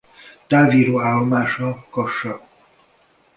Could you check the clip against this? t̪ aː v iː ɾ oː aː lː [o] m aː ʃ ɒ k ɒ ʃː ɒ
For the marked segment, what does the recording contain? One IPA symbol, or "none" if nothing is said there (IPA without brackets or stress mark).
o